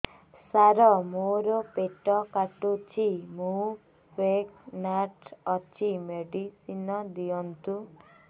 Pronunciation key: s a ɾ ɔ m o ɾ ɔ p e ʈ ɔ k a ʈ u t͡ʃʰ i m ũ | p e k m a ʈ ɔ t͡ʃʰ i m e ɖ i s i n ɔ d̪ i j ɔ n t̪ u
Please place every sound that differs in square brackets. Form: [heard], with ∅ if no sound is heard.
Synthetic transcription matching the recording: s a ɾ ɔ m o ɾ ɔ p e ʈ ɔ k a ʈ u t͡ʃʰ i m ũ | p e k [n] a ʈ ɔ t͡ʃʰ i m e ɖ i s i n ɔ d̪ i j ɔ n t̪ u